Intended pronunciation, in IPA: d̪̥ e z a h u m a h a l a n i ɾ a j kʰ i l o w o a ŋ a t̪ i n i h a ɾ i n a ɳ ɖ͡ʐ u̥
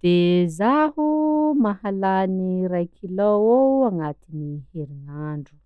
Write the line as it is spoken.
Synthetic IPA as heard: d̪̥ e z a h u m a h a l a n i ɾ a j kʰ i l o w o a ŋ a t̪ i n i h e ɾ i n a ɳ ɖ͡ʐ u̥